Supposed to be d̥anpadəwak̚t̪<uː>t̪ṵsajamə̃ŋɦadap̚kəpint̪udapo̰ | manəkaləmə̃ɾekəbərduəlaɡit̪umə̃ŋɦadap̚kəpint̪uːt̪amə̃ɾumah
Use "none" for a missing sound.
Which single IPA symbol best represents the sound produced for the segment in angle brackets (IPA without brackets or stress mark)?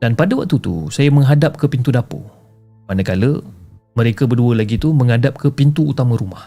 u